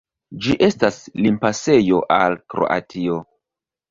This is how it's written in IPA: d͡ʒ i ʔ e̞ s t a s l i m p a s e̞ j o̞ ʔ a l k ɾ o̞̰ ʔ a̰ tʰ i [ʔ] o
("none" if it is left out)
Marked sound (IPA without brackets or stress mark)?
none